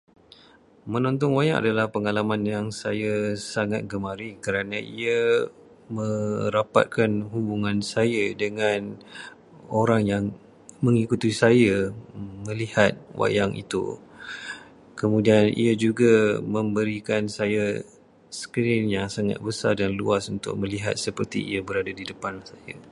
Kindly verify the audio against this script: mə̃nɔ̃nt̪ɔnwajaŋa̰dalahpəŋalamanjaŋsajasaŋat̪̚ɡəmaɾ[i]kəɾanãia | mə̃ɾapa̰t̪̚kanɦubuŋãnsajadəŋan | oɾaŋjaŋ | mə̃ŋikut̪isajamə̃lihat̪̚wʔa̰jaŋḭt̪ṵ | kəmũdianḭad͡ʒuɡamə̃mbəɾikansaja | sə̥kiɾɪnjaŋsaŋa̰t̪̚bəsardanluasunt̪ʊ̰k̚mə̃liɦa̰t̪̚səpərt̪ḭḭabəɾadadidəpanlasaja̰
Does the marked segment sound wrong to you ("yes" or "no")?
no